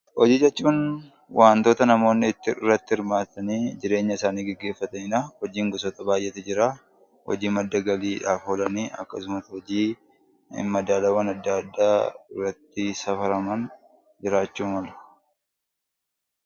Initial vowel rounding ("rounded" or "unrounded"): rounded